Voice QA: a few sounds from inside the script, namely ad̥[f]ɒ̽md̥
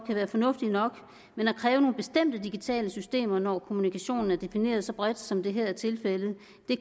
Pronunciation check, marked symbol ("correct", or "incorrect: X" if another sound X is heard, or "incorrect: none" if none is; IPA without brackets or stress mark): incorrect: s